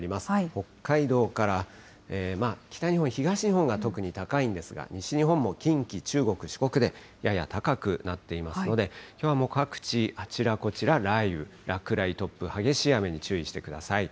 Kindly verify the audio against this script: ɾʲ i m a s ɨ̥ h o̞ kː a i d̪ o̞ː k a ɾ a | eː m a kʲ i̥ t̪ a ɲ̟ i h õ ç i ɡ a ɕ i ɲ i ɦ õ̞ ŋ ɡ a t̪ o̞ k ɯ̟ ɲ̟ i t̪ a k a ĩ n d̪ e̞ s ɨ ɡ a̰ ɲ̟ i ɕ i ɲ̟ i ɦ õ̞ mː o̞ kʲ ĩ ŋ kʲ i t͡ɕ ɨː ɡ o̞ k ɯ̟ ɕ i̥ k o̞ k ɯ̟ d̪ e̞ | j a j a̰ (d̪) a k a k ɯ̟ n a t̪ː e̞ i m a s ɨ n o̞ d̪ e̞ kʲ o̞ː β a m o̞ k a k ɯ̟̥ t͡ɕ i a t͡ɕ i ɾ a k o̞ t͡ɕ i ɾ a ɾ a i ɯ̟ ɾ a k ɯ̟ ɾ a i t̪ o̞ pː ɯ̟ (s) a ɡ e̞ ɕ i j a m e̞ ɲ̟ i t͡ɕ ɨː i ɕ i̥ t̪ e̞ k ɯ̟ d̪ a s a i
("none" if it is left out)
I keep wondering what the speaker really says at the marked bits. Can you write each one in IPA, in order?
t̪, h

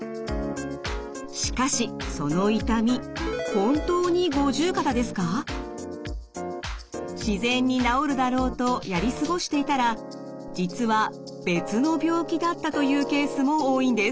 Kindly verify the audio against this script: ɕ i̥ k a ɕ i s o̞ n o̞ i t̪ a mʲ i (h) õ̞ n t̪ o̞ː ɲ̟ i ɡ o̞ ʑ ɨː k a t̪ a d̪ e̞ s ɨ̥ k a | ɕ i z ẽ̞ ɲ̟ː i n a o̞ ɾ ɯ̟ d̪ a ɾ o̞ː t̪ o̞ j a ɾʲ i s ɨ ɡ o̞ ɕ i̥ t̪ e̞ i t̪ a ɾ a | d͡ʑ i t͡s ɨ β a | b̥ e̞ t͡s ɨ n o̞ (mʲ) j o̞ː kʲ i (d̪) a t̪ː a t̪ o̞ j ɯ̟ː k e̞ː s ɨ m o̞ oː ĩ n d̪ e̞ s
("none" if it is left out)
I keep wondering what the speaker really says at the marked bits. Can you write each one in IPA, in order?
h, bʲ, d̪

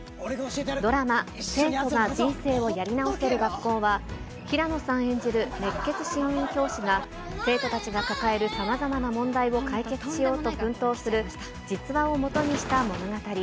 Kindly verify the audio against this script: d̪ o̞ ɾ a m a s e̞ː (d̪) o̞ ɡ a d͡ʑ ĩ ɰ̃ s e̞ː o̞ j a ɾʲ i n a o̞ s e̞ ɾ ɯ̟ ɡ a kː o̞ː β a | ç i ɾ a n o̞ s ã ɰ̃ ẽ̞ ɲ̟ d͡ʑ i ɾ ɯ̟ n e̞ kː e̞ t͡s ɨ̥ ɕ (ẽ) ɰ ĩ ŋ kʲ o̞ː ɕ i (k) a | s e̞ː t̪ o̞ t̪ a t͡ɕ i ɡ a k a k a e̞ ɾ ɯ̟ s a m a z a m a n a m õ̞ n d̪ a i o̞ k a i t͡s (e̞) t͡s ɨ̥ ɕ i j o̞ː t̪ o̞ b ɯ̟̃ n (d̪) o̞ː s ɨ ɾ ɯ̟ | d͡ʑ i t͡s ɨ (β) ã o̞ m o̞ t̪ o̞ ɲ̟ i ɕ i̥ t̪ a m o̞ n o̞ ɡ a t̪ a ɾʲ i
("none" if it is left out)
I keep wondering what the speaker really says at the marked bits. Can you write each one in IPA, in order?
t̪, ĩ, ɡ, e̞, t̪, β

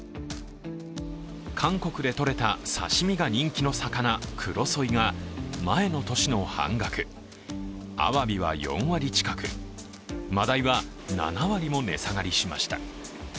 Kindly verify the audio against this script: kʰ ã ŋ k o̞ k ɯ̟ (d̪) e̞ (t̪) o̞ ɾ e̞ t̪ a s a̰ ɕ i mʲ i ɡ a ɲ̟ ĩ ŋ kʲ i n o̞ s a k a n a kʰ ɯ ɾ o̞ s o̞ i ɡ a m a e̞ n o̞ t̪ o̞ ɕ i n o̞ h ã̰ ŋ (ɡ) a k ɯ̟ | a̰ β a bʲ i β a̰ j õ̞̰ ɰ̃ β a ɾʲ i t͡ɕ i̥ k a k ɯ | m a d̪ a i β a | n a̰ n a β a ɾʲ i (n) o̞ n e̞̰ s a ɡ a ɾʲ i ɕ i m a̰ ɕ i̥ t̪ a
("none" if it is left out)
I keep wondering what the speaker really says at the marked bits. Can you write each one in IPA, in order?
d̪, t̪, ɡ, m

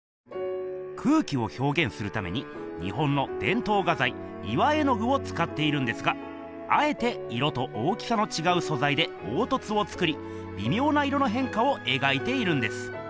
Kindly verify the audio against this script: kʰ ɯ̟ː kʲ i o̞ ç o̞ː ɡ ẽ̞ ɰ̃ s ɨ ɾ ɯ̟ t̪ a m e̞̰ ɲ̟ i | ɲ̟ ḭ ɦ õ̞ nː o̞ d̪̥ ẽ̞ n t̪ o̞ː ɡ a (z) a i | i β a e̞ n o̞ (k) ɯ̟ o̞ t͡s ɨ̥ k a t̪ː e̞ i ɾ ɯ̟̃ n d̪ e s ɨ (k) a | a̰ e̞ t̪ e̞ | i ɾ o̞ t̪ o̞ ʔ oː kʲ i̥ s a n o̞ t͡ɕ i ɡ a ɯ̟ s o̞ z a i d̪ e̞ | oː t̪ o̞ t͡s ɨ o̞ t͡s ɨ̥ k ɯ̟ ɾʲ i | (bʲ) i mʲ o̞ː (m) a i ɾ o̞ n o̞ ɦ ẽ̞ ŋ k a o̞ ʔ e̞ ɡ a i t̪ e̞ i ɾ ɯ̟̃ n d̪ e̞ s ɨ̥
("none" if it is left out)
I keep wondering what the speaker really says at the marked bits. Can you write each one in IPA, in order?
z, ɡ, ɡ, bʲ, n

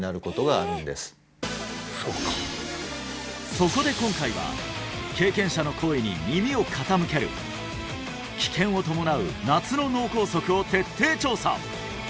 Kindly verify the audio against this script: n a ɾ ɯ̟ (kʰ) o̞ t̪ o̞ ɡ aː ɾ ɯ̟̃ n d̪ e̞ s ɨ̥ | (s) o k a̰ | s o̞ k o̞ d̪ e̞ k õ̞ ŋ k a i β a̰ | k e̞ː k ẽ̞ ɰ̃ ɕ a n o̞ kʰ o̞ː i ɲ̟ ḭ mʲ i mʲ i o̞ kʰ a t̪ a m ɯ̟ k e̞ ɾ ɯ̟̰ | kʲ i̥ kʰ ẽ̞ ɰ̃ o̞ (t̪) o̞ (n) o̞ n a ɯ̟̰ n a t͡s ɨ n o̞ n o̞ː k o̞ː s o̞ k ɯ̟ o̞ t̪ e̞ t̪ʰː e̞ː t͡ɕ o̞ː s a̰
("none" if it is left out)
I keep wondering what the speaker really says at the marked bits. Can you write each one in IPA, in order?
k, s, t̪, m

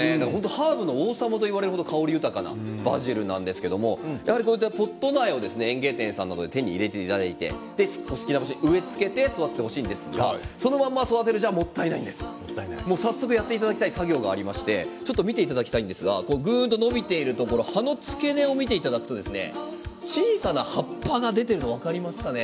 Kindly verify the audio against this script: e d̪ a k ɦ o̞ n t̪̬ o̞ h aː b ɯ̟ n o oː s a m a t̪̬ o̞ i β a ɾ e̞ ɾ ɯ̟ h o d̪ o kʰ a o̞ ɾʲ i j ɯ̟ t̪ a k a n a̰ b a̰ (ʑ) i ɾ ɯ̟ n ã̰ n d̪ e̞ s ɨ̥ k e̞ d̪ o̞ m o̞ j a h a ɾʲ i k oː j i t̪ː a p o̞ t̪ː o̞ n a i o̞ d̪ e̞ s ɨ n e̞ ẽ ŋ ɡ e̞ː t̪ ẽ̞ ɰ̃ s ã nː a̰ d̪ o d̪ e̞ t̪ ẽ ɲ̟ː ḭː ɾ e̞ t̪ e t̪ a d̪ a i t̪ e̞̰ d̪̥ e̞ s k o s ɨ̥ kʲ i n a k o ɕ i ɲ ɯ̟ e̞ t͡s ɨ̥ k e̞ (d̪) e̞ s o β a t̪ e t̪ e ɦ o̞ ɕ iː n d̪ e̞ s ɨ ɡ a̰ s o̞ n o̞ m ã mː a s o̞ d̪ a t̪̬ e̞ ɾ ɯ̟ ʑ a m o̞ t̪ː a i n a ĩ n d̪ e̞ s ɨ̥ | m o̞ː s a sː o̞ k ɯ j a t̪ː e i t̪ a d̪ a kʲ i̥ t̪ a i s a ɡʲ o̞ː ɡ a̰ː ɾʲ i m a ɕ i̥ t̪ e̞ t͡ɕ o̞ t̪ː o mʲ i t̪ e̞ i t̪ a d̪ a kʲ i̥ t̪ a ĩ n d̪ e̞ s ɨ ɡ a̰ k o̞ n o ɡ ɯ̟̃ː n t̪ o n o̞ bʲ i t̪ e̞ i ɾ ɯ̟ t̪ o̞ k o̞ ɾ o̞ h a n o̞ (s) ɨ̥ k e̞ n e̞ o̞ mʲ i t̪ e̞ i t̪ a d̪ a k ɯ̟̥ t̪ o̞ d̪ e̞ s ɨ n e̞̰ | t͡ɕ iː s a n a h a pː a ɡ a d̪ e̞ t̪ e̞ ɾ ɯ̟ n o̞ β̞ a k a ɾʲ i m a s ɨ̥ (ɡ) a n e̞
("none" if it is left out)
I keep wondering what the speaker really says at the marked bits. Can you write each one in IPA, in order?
ʑ, t̪, t͡s, k

